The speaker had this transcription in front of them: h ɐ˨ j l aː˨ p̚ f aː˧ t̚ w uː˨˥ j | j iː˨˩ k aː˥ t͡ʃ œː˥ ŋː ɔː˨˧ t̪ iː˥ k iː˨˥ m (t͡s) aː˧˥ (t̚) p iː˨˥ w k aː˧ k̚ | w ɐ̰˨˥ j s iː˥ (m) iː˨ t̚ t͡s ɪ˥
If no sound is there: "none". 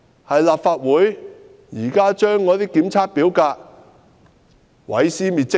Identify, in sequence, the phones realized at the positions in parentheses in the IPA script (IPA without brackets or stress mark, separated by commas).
t͡sʰ, t̚, m